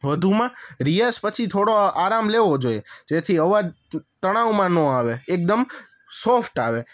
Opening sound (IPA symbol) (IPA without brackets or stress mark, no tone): ʋ